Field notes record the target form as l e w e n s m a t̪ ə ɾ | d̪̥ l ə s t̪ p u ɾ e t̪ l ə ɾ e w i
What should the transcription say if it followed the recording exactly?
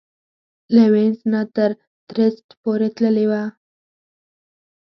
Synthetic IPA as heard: l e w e n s n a t̪ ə ɾ | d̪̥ ɾ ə s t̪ p o ɾ e t̪ l ə l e w a

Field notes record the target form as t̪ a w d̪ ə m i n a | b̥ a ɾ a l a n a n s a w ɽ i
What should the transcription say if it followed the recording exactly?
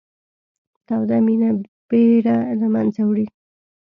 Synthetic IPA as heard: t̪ a w d̪ a m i n a | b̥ e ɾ a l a m a n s a w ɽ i

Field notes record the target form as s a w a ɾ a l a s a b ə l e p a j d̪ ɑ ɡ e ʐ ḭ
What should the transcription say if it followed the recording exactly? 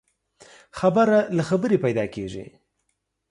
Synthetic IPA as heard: x a b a ɾ a l a x a b ə ɾ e p a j d̪ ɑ k e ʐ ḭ

